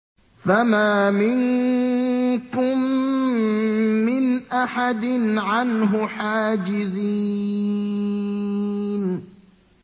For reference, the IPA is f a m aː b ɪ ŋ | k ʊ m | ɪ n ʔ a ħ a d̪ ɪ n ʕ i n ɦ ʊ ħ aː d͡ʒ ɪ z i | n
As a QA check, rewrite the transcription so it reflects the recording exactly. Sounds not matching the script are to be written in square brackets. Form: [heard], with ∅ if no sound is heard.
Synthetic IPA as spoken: f a m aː [m] ɪ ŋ | k ʊ m | ɪ n ʔ a ħ a d̪ ɪ n ʕ [a] n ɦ ʊ ħ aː d͡ʒ ɪ z i | n